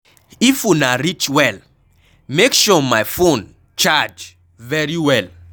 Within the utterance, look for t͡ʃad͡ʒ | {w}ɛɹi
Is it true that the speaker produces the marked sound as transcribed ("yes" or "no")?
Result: no